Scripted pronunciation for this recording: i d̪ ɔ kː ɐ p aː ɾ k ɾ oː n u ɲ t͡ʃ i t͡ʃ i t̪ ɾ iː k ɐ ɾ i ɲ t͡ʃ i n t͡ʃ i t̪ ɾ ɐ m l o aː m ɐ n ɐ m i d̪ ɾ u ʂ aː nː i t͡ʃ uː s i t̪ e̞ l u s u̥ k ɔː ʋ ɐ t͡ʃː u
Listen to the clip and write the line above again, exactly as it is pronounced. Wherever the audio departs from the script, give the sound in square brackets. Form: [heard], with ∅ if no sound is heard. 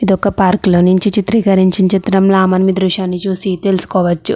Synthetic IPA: i d̪ ɔ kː ɐ p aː ɾ k [l] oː n u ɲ t͡ʃ i t͡ʃ i t̪ ɾ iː k ɐ ɾ i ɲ t͡ʃ i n t͡ʃ i t̪ ɾ ɐ m l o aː m ɐ n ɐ m i d̪ ɾ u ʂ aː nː i t͡ʃ uː s i t̪ e̞ l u s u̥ k ɔː ʋ ɐ t͡ʃː u